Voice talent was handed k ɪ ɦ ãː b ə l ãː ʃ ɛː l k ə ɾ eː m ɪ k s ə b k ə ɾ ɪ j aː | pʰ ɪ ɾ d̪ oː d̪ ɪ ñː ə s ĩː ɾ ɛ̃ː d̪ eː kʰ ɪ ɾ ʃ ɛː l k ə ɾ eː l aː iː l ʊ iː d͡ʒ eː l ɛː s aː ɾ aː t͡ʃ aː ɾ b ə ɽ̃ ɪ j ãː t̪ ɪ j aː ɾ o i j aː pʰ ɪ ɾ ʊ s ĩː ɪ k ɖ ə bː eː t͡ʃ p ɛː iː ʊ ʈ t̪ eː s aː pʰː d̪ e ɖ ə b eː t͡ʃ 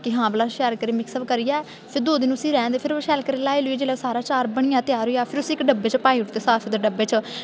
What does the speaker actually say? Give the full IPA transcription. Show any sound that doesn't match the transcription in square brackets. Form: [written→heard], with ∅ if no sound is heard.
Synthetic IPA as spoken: k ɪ ɦ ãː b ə l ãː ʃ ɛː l k ə ɾ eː m ɪ k s ə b k ə ɾ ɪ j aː | pʰ ɪ ɾ d̪ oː d̪ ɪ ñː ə s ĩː ɾ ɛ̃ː d̪ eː [kʰ→pʰ] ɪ ɾ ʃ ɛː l k ə ɾ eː l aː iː l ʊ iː d͡ʒ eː l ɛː s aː ɾ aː t͡ʃ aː ɾ b ə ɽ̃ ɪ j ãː t̪ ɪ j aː ɾ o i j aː pʰ ɪ ɾ ʊ s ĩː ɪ k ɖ ə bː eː t͡ʃ p [ɛː→aː] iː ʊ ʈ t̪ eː s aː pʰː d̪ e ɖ ə b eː t͡ʃ